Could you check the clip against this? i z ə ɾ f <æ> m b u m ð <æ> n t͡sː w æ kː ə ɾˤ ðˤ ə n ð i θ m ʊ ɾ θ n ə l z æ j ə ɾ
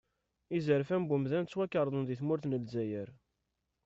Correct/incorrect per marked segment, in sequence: correct, correct

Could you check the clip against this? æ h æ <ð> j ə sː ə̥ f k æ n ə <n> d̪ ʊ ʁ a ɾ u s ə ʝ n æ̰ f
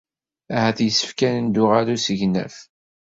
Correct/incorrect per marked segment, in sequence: incorrect, correct

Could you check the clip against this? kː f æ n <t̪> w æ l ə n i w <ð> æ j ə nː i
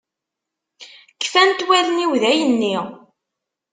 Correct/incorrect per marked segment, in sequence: correct, correct

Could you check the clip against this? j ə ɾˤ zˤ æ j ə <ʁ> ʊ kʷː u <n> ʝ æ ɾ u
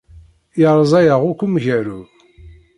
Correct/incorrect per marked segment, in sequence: correct, incorrect

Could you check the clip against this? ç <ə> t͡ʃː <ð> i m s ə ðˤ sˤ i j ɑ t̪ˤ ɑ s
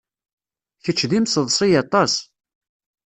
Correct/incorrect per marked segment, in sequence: correct, correct

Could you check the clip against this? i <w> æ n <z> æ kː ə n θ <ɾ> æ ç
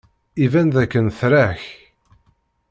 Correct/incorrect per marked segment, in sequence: incorrect, incorrect, correct

